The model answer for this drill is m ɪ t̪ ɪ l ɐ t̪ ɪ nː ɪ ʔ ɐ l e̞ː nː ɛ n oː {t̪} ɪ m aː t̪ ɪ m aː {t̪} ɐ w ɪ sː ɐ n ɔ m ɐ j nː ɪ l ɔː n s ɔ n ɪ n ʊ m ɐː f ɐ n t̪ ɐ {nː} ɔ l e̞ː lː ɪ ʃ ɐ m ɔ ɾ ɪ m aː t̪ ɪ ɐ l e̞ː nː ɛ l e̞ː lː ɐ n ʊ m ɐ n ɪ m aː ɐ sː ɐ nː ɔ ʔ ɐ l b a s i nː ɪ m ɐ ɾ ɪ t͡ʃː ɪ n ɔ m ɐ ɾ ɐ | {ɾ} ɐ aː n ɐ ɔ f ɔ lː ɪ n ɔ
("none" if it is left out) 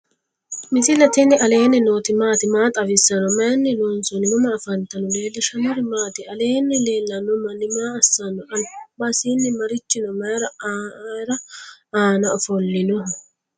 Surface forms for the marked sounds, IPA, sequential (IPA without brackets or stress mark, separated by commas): t̪, t̪ʼ, n, ɾ